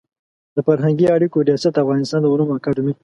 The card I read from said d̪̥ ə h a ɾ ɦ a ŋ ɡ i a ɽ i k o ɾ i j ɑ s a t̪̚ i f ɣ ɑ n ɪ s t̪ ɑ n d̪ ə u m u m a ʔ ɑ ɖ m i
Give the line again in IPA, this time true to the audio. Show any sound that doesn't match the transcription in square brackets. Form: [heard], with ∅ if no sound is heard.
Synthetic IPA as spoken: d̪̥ ə [f] a ɾ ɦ a ŋ ɡ i a ɽ i k o ɾ i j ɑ s a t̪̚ [a] f ɣ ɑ n ɪ s t̪ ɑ n d̪ ə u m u m a [k] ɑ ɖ m i

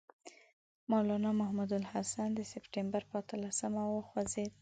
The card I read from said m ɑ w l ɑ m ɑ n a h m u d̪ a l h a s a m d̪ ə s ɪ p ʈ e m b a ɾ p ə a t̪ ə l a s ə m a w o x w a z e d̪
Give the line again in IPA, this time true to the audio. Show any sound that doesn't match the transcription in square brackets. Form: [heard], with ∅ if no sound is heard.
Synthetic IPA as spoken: m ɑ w l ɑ [n] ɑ [m] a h m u d̪ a l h a s a [n] d̪ ə s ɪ p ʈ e m b a ɾ p ə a t̪ ə l a s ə m a w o x w a z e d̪

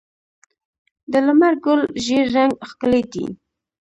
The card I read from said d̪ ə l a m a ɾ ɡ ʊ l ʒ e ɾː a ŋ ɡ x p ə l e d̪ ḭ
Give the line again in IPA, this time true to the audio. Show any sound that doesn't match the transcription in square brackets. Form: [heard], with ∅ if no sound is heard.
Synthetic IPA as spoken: d̪ ə l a m a ɾ ɡ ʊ l ʒ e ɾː a ŋ ɡ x [k] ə l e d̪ ḭ

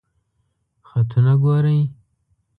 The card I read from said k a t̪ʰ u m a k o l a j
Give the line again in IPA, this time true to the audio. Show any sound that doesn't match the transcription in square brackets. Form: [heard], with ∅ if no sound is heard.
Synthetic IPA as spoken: [x] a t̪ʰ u [n] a [ɡ] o [ɾ] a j

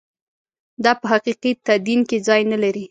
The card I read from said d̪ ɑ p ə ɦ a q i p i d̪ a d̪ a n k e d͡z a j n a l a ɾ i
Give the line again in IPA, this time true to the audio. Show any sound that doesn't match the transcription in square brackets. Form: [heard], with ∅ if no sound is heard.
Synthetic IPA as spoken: d̪ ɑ p ə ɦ a q i [q] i [t̪] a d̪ [i] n k e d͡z [ɑ] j n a l a ɾ i

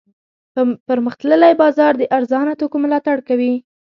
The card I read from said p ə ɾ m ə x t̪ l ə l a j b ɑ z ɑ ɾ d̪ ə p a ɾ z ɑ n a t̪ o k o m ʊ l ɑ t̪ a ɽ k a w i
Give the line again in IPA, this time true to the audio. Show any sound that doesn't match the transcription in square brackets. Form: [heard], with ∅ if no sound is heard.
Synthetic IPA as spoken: p ə ɾ m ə x t̪ l ə l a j b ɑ z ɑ ɾ d̪ ə [ʔ] a ɾ z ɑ n a t̪ o k o m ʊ l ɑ t̪ a ɽ k a w i

